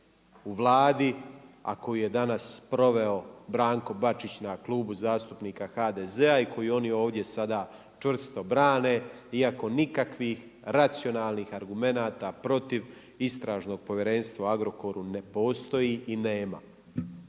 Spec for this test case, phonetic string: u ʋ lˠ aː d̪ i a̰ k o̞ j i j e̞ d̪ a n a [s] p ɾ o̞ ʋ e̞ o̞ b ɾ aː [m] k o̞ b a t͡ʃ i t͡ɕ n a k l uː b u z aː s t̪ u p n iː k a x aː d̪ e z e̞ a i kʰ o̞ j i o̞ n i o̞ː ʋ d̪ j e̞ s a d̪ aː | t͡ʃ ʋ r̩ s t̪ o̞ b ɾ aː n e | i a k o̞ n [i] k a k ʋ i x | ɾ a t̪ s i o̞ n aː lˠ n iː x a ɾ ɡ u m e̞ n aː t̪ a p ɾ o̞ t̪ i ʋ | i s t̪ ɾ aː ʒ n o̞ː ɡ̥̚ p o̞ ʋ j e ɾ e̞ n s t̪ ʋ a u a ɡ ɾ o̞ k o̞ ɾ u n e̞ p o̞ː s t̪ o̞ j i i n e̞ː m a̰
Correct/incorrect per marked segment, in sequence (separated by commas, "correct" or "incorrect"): correct, incorrect, correct